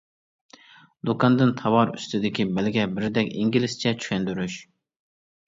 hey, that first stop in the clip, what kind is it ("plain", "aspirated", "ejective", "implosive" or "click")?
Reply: plain